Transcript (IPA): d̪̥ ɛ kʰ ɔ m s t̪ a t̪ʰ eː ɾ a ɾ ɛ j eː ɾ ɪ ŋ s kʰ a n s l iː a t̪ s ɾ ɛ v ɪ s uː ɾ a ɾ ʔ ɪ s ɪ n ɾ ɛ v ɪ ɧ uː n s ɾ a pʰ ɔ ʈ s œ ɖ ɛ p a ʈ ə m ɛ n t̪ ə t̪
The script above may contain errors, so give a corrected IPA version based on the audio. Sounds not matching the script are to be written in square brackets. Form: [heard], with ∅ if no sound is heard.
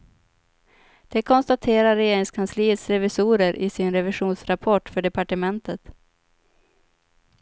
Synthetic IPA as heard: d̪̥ ɛ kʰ ɔ [n] s t̪ a t̪ʰ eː ɾ a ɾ ɛ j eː ɾ ɪ ŋ s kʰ a n s l iː [ə] t̪ s ɾ ɛ v ɪ s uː ɾ [ə] ɾ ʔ ɪ s ɪ n ɾ ɛ v ɪ ɧ uː n s ɾ a pʰ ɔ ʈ [f] œ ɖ ɛ p a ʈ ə m ɛ n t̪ ə t̪